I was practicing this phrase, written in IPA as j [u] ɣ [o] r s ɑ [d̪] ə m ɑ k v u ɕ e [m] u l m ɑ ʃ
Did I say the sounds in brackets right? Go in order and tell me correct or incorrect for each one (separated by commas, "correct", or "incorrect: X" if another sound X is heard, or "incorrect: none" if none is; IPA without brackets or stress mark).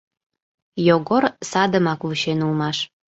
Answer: incorrect: o, correct, correct, incorrect: n